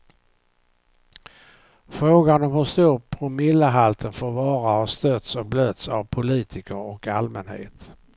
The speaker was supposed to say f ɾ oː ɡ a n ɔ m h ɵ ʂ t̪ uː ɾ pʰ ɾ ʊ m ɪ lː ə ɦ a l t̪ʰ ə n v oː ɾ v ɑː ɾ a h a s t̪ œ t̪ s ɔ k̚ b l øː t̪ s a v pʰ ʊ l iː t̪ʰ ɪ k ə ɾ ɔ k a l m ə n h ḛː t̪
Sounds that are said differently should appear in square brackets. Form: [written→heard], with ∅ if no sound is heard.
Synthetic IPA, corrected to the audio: f ɾ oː ɡ a n ɔ m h ɵ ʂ t̪ uː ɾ pʰ ɾ ʊ m ɪ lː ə ɦ a l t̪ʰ ə n [v→f] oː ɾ v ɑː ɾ a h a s t̪ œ t̪ s ɔ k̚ b l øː t̪ s a v pʰ ʊ l iː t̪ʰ ɪ k ə ɾ ɔ k a l m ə n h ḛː t̪